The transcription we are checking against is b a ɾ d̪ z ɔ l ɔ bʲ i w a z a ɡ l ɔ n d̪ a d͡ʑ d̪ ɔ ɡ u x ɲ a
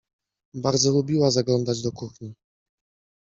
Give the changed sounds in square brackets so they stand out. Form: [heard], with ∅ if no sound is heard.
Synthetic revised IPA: b a ɾ d̪ z ɔ l [u] bʲ i w a z a ɡ l ɔ n d̪ a d͡ʑ d̪ ɔ [k] u x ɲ [i]